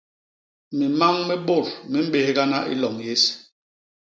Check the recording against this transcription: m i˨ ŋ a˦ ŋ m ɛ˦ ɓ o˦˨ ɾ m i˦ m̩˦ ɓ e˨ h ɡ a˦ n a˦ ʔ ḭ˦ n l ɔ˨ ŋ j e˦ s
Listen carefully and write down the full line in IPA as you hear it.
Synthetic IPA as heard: m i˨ m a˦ ŋ m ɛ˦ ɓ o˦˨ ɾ m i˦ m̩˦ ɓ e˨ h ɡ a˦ n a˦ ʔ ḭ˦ l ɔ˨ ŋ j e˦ s